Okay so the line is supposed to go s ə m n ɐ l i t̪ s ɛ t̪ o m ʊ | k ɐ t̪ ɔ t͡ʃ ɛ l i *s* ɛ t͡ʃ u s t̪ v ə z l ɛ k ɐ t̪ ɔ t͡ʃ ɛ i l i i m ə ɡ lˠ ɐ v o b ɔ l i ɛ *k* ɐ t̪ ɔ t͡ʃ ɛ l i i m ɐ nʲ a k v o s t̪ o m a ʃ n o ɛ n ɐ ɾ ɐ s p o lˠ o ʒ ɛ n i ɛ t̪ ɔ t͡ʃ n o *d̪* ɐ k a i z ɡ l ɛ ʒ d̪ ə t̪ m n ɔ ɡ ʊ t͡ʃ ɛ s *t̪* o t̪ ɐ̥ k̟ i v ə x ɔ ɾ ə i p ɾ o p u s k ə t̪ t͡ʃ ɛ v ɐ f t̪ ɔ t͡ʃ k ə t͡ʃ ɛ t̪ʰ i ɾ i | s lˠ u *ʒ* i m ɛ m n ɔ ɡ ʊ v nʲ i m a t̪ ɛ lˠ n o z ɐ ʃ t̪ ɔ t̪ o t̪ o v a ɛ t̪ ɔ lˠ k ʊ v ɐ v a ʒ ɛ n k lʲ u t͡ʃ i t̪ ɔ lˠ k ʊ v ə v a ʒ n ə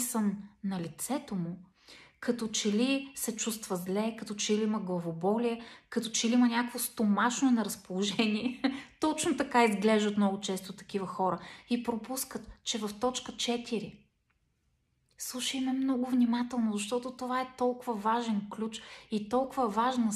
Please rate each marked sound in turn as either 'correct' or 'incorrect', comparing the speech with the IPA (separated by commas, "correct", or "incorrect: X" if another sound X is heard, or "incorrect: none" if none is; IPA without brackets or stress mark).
correct, correct, incorrect: t̪, correct, incorrect: ʃ